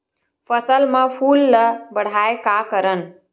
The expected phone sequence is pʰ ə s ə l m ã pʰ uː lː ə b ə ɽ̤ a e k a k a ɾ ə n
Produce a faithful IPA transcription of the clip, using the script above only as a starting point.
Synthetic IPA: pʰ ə s ə l m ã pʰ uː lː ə b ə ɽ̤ a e k a k ə ɾ ə n